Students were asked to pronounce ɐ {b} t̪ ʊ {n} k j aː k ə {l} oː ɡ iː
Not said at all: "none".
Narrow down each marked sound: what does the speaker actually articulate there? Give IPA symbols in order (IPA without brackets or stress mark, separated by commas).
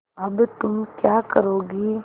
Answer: b, m, ɾ